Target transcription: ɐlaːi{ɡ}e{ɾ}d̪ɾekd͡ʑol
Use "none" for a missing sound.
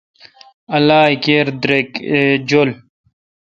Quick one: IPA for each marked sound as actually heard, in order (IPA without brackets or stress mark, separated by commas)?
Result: k, ɾ